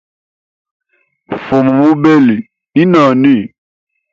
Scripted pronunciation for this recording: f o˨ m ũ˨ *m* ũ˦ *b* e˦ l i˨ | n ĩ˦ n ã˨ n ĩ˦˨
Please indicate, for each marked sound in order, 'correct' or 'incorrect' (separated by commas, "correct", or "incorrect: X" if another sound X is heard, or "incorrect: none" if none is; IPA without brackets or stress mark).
correct, correct